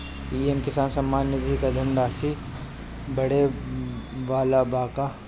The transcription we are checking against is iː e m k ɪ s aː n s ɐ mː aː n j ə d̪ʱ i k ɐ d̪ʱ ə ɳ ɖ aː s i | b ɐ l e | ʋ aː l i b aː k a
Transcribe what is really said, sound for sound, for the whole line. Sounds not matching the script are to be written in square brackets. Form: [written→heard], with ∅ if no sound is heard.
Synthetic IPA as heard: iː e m k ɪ s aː n s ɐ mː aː n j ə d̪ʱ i k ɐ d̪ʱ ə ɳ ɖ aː s i | b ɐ [l→ɽ] e | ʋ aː l [i→a] b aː k a